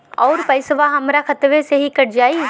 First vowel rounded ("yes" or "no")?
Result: yes